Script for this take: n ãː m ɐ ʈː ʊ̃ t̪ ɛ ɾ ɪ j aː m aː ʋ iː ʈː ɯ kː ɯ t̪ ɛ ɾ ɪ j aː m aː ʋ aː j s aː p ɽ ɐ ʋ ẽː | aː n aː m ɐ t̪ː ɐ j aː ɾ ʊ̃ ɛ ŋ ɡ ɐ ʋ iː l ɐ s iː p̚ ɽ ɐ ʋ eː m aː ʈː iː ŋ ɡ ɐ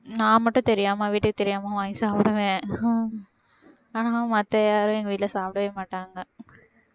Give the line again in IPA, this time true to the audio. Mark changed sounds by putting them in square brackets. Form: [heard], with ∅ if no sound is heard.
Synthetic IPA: n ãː m ɐ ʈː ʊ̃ t̪ ɛ ɾ ɪ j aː m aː ʋ iː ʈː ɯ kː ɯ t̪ ɛ ɾ ɪ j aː m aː ʋ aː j s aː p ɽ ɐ ʋ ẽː | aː n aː m ɐ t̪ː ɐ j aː ɾ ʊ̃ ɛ ŋ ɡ ɐ ʋ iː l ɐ s [aː] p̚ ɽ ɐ ʋ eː m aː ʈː [aː] ŋ ɡ ɐ

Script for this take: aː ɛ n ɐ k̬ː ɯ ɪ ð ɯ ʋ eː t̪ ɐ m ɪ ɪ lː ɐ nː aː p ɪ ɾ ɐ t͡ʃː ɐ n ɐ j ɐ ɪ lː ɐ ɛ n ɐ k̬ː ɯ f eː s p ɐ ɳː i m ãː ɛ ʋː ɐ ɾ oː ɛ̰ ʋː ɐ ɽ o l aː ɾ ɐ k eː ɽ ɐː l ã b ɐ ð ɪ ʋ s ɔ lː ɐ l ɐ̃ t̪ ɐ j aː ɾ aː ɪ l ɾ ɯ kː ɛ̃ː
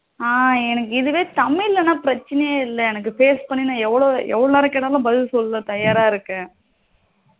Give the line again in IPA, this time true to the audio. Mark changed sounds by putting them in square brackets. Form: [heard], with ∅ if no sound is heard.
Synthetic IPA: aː ɛ n ɐ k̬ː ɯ ɪ ð ɯ ʋ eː t̪ ɐ m ɪ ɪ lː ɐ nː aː p ɪ ɾ ɐ t͡ʃː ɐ n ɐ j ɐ ɪ lː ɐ ɛ n ɐ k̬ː ɯ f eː s p ɐ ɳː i [n] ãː ɛ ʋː ɐ [ɭ] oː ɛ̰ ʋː ɐ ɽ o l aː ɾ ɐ k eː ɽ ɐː l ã b ɐ ð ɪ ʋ s ɔ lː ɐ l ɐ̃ t̪ ɐ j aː ɾ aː ɪ [∅] ɾ ɯ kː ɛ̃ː

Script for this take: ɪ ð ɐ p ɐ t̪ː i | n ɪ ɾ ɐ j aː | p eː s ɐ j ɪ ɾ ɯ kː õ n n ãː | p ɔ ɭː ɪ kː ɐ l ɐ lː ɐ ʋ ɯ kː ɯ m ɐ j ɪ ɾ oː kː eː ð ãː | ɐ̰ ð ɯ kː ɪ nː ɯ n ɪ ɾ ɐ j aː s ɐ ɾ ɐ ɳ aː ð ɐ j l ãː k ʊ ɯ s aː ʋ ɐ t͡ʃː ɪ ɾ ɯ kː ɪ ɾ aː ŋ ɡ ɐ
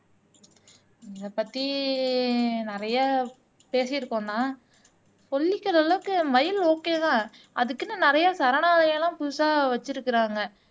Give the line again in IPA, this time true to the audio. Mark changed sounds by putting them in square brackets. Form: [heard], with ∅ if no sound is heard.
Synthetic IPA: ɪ ð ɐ p ɐ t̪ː i | n ɪ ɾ ɐ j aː | p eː s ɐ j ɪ ɾ ɯ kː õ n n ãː | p ɔ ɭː ɪ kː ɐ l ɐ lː ɐ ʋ ɯ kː ɯ m ɐ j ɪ [l] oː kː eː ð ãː | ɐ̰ ð ɯ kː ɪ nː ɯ n ɪ ɾ ɐ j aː s ɐ ɾ ɐ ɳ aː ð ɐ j l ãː [p] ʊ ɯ s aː ʋ ɐ t͡ʃː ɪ ɾ ɯ kː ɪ ɾ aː ŋ ɡ ɐ

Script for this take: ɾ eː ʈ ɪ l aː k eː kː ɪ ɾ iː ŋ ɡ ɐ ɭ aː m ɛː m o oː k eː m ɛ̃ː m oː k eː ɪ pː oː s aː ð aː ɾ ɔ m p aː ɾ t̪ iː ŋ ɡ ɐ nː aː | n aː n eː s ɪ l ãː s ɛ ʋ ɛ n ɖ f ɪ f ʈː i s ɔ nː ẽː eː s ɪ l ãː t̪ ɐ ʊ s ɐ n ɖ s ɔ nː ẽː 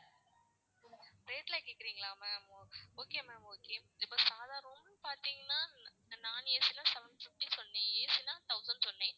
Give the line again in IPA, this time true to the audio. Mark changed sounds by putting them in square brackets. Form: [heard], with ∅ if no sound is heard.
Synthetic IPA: ɾ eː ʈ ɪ l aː k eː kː ɪ ɾ iː ŋ ɡ ɐ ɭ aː m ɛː m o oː k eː m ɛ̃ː m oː k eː ɪ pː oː s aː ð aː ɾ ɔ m p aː ɾ t̪ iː ŋ ɡ ɐ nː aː | n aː n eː s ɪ l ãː s ɛ ʋ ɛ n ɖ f ɪ f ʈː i s ɔ nː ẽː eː s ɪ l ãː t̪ ɐ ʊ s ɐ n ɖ s ɔ nː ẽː

